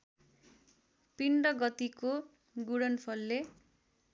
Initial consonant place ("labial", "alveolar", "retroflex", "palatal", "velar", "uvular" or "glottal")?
labial